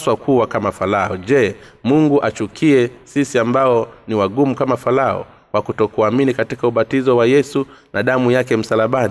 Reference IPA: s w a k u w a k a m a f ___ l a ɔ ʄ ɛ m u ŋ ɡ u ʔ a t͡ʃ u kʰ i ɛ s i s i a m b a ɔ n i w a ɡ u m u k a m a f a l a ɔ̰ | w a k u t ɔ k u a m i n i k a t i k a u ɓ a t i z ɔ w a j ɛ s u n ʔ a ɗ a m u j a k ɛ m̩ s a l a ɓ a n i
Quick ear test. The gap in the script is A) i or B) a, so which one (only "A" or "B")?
B